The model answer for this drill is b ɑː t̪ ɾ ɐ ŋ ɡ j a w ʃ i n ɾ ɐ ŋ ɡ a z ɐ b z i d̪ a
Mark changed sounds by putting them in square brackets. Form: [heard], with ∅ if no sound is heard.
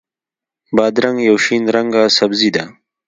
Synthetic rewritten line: b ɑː [d̪] ɾ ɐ ŋ ɡ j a w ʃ i n ɾ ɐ ŋ ɡ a [s] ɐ b z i d̪ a